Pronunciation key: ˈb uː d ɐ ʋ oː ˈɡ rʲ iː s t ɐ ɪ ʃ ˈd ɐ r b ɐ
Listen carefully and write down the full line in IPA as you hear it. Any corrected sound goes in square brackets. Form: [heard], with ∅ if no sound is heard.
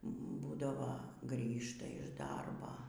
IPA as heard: ˈb uː d ɐ ʋ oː ˈɡ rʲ iː [ʃ] t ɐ ɪ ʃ ˈd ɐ r b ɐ